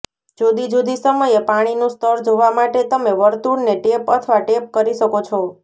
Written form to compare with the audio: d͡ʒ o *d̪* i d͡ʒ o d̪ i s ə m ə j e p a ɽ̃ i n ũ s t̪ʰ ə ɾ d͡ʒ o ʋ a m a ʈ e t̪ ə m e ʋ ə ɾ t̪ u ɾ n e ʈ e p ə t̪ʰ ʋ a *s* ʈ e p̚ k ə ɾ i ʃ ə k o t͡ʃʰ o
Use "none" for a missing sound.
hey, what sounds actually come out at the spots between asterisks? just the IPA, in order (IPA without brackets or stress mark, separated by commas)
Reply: d̪, none